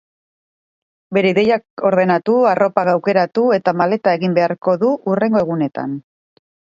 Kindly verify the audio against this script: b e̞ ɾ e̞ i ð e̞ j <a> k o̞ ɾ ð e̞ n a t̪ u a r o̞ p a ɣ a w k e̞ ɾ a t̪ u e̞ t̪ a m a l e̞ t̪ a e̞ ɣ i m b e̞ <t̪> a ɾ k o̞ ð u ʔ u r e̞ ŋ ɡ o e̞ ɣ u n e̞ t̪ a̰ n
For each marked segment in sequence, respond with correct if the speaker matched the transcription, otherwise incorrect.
correct, incorrect

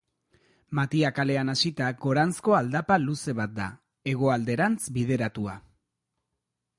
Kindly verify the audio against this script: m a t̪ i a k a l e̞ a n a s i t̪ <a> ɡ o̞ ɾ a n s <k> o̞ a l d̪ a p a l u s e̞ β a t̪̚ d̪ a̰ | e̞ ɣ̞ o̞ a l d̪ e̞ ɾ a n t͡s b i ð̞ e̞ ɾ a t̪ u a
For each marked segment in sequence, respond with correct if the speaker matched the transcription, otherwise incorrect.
correct, correct

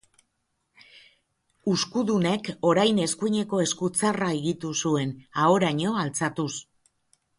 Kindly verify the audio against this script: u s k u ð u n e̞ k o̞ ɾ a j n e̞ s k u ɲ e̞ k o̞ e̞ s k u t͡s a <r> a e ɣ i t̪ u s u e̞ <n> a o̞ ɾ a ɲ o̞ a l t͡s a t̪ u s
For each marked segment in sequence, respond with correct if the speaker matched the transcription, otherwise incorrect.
correct, correct

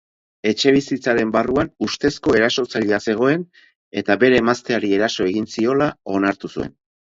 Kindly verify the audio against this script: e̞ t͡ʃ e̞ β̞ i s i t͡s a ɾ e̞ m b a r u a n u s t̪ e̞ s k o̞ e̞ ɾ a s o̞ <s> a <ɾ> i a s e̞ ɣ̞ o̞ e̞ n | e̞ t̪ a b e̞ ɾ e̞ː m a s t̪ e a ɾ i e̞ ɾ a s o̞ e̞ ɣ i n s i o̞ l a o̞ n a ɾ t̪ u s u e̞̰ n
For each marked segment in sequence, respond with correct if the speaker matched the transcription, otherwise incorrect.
incorrect, incorrect

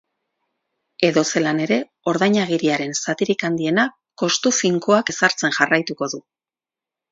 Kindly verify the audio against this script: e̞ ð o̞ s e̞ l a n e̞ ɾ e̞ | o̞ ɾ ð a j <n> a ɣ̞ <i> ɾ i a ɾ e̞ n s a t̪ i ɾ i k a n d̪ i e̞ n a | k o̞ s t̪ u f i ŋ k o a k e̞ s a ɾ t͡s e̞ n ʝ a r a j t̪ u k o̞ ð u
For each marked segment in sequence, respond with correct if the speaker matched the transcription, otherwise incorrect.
incorrect, correct

